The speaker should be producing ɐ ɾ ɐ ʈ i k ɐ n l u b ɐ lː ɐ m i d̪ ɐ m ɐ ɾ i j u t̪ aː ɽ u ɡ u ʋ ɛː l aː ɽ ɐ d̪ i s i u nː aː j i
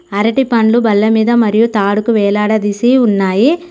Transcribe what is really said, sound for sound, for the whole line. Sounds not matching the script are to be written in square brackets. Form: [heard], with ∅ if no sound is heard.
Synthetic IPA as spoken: ɐ ɾ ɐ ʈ i [p] ɐ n l u b ɐ lː ɐ m [iː] d̪ ɐ m ɐ ɾ i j u t̪ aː ɽ u [k] u ʋ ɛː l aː ɽ ɐ d̪ i s i u nː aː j i